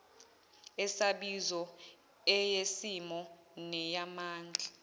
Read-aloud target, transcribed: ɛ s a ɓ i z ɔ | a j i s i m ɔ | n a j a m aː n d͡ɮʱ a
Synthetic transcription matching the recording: ɛ s a ɓ i z ɔ | ɛ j e s i m ɔ | n ɛ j a m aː n d͡ɮʱ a